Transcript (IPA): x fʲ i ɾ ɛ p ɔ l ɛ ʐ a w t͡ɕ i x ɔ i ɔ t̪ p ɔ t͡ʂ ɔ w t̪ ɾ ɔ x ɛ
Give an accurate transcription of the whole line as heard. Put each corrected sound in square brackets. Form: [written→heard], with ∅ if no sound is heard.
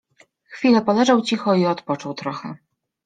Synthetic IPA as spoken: x fʲ i [ɾ→l] ɛ p ɔ l ɛ ʐ a w t͡ɕ i x ɔ i ɔ t̪ p ɔ t͡ʂ ɔ w t̪ ɾ ɔ x ɛ